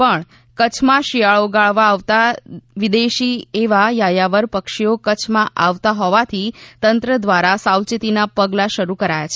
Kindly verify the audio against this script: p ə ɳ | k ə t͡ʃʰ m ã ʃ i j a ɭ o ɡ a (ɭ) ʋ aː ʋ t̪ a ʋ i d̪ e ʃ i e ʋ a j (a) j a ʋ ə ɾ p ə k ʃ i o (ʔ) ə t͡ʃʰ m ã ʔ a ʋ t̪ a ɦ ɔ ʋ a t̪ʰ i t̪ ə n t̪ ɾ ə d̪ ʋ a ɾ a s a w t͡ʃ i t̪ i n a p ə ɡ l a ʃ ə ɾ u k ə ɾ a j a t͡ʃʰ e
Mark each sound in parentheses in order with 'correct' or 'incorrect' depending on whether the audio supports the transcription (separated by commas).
correct, correct, incorrect